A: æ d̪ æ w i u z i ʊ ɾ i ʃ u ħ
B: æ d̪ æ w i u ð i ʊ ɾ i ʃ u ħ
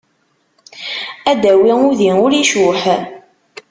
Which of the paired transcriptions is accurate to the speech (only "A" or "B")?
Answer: B